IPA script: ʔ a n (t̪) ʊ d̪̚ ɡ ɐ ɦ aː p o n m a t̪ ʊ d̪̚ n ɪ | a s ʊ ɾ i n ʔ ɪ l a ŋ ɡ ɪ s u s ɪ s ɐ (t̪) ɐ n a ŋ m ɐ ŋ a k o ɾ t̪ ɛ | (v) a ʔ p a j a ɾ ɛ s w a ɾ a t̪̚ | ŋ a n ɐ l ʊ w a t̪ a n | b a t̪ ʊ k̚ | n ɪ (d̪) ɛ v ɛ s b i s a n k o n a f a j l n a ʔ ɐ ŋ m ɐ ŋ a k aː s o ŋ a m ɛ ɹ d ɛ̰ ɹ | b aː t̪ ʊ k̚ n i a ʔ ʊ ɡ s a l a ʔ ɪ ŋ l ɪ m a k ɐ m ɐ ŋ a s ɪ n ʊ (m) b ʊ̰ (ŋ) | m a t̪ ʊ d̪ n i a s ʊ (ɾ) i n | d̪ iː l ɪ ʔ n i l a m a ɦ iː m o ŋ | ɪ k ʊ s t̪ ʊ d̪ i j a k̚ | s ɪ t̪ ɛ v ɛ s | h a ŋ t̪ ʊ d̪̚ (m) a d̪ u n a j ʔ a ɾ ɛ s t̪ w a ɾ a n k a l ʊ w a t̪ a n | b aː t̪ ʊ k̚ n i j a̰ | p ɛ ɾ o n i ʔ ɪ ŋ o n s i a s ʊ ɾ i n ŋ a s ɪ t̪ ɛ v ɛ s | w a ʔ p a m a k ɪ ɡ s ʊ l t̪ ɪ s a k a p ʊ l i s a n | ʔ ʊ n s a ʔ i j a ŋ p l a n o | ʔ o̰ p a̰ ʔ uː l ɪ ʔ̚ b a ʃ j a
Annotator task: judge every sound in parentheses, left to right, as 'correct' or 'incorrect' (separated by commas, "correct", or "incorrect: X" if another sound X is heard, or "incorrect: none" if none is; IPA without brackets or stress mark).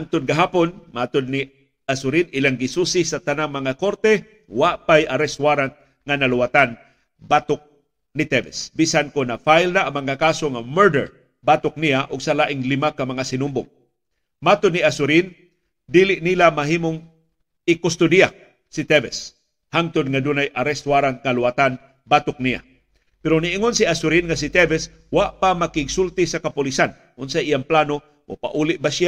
correct, correct, incorrect: w, incorrect: t̪, correct, correct, correct, incorrect: ŋ